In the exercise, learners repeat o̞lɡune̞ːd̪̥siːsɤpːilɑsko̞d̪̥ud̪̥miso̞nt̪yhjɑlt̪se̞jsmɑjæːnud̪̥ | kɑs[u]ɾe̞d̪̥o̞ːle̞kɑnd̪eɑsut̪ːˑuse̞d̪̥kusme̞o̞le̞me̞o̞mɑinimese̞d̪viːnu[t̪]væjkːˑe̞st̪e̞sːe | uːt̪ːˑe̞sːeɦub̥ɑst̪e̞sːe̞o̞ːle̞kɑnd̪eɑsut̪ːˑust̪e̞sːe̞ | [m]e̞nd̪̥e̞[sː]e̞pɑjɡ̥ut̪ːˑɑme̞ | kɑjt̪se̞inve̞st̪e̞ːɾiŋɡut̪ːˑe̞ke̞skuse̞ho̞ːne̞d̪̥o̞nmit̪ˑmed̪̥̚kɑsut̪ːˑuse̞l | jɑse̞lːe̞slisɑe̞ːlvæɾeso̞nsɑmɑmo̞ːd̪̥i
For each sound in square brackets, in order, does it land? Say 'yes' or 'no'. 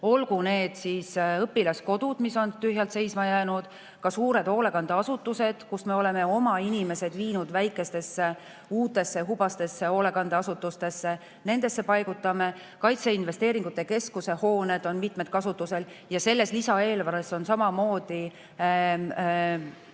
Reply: no, no, no, yes

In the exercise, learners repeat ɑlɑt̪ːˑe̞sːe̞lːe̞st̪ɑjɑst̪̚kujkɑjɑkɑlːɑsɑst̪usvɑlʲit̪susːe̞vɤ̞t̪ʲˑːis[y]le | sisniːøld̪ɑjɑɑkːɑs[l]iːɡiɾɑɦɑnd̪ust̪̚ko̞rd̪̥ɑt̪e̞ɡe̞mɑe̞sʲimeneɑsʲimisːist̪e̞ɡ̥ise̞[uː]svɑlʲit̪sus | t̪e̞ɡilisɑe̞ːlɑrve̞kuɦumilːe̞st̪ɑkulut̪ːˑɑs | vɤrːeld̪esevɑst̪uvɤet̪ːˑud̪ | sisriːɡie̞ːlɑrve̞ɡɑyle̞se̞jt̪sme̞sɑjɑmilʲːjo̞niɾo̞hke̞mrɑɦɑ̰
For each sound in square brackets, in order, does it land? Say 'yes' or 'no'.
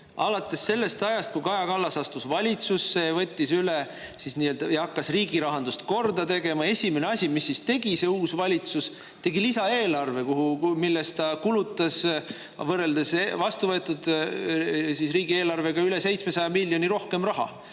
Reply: yes, no, yes

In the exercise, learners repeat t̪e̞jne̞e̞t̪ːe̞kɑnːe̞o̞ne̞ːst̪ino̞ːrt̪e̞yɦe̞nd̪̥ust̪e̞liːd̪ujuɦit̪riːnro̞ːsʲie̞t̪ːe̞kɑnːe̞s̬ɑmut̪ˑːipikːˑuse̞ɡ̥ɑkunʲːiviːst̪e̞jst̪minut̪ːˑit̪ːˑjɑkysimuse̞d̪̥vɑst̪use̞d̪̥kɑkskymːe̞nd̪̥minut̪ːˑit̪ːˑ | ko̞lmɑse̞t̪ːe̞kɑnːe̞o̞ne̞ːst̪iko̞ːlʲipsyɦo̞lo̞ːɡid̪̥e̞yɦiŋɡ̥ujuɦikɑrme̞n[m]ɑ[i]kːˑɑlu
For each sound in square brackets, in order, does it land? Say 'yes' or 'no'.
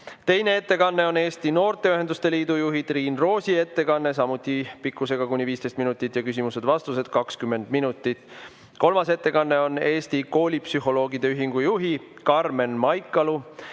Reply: yes, no

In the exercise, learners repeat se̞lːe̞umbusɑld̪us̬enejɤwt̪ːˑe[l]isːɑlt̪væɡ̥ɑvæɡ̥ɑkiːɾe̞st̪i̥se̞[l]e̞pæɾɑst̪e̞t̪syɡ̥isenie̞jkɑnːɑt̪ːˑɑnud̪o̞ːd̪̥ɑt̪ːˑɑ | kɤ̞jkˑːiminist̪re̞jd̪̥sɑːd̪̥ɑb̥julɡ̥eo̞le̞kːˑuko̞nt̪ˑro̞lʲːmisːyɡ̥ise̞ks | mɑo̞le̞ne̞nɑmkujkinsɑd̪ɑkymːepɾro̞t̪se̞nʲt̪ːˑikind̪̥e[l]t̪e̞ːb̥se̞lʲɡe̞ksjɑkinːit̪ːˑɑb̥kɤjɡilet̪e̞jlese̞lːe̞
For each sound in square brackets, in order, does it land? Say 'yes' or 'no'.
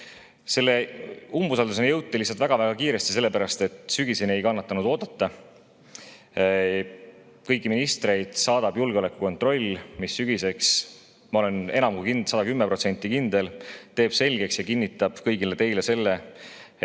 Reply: yes, no, yes

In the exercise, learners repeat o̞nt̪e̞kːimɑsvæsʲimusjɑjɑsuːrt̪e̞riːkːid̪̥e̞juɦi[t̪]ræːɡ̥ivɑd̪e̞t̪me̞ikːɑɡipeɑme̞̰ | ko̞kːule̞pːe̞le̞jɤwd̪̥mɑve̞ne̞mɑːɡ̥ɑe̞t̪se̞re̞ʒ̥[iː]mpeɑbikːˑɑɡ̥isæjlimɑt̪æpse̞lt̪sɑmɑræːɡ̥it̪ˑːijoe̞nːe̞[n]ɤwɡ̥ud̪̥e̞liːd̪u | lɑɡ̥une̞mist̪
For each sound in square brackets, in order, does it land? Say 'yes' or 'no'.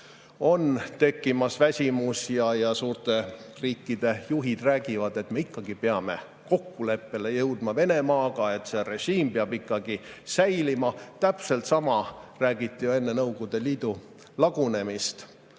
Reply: no, yes, yes

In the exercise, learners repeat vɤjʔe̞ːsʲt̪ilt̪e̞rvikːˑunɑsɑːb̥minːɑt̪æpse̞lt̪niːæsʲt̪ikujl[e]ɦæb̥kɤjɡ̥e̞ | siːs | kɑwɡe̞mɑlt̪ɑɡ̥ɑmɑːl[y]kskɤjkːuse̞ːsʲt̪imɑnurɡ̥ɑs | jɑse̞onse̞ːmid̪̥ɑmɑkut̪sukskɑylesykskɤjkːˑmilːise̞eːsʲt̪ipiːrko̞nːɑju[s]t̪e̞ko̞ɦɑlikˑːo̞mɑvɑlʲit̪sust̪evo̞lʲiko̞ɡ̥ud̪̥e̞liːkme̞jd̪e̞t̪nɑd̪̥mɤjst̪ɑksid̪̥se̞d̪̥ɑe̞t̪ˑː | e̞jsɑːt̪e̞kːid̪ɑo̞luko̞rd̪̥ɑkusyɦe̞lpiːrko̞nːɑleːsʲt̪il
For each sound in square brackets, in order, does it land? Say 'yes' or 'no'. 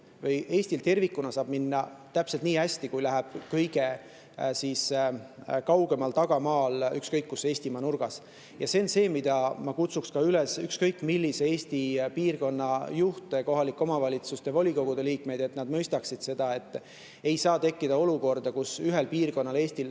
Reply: no, yes, no

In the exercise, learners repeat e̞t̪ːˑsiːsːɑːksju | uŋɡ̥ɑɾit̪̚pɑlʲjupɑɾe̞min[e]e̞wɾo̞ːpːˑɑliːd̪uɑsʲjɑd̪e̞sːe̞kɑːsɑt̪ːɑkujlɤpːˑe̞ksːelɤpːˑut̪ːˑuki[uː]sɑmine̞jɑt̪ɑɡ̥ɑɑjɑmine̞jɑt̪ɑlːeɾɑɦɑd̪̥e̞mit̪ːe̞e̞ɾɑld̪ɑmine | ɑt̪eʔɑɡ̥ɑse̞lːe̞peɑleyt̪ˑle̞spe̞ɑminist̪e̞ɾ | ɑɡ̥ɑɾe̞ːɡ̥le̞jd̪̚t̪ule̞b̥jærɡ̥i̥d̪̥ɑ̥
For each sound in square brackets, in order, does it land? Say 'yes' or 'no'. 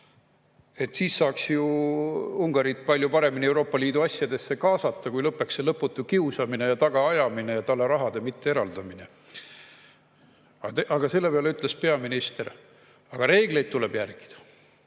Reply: no, no

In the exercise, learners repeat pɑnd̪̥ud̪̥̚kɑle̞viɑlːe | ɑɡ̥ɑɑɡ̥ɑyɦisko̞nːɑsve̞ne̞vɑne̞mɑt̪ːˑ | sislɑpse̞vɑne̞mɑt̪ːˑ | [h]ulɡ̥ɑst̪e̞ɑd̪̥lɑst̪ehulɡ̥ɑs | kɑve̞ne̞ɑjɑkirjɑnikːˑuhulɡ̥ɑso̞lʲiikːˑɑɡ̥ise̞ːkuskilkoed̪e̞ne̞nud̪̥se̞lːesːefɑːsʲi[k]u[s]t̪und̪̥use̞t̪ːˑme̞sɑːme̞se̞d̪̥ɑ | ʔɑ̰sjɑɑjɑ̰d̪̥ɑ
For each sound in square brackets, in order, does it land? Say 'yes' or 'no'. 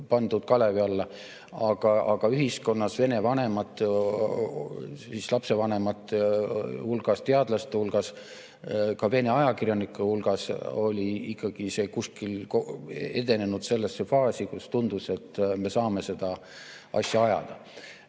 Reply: yes, yes, yes

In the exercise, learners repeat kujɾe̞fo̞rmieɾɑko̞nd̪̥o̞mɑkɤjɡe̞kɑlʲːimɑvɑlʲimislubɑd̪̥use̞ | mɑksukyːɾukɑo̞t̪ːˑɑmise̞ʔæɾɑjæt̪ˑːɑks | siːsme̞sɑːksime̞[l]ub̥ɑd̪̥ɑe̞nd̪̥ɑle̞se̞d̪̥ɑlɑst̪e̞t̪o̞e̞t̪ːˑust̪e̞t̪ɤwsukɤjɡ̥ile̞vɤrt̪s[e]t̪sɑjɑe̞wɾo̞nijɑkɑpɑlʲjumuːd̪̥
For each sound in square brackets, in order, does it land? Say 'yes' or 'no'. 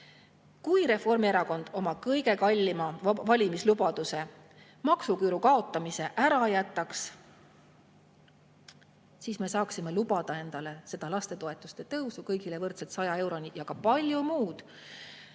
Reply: yes, yes

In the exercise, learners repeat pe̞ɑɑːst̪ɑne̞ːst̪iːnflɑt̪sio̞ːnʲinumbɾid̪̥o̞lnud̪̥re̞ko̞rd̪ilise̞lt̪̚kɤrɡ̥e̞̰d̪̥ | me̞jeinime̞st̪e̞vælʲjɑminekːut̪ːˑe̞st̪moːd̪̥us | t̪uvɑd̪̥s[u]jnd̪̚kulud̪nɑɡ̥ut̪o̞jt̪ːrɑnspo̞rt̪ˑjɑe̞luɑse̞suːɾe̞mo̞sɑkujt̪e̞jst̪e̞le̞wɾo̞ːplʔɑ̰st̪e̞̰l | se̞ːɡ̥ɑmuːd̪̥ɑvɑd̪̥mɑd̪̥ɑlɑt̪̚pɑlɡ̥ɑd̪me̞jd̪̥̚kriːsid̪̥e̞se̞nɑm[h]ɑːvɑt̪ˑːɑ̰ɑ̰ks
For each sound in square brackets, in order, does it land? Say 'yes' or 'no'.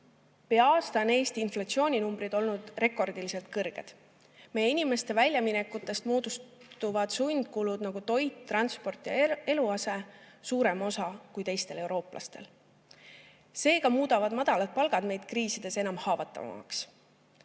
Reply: yes, yes

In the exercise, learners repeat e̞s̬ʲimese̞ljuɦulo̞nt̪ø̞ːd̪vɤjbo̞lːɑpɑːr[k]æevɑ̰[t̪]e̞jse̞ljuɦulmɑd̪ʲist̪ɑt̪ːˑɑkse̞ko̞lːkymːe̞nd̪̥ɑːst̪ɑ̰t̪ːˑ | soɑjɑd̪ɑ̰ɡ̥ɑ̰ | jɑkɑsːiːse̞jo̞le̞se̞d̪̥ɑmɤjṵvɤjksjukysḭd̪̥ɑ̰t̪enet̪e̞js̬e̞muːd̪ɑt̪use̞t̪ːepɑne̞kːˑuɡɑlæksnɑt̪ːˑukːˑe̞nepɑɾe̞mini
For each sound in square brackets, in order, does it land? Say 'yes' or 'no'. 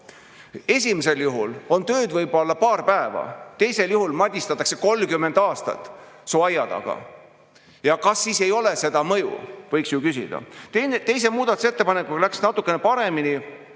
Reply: no, yes

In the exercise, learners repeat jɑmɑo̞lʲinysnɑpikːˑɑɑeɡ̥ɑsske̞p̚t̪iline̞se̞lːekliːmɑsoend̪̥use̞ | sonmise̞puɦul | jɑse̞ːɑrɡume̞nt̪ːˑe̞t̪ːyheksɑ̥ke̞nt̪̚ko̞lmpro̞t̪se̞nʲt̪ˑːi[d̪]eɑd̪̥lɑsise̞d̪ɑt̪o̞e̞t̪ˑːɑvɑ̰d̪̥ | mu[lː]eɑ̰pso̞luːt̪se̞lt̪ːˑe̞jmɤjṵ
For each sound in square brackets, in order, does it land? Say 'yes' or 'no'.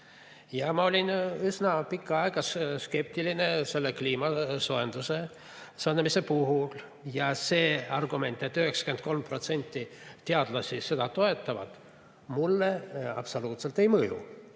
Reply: no, yes

